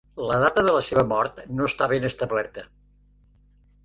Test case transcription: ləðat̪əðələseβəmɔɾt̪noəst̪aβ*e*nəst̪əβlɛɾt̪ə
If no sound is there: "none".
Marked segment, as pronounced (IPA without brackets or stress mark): e